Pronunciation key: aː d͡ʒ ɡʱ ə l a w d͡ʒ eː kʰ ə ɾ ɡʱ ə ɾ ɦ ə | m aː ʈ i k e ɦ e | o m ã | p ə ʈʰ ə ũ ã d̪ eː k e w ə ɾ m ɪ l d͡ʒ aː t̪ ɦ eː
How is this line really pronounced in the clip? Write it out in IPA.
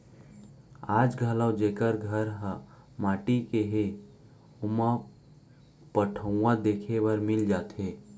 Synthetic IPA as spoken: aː d͡ʒ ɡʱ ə l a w d͡ʒ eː k ə ɾ ɡʱ ə ɾ ɦ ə | m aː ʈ i k e ɦ e | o m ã | p ə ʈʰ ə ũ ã d̪ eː kʰ e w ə ɾ m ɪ l d͡ʒ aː t̪ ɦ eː